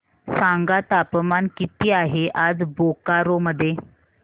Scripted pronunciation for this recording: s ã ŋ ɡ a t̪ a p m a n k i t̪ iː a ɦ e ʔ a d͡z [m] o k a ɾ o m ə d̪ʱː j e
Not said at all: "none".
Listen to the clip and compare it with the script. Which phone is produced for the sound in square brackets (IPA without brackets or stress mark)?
b